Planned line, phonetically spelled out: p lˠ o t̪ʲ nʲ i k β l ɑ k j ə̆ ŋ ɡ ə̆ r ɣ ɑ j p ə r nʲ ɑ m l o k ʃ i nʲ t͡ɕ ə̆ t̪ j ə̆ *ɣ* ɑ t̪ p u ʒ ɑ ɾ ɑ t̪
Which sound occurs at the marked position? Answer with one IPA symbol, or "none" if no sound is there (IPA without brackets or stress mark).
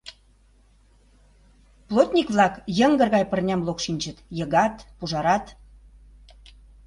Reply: ɣ